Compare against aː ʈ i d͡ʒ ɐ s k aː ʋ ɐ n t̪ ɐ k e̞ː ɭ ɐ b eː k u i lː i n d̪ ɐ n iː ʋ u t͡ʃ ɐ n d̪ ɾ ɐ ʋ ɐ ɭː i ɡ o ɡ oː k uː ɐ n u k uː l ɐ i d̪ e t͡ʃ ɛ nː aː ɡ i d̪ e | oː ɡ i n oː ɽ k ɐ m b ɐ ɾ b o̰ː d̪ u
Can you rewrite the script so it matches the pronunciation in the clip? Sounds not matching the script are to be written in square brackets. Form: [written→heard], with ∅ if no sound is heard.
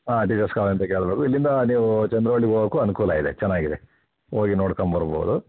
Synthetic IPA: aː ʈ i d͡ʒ ɐ s k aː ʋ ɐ n t̪ ɐ k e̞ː ɭ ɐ b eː k u i lː i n d̪ ɐ n iː ʋ u t͡ʃ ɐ n d̪ ɾ ɐ ʋ ɐ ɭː i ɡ o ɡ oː k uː ɐ n u k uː l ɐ i d̪ e t͡ʃ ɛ nː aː ɡ i d̪ e | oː ɡ i n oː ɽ k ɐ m b ɐ ɾ b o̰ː d̪ u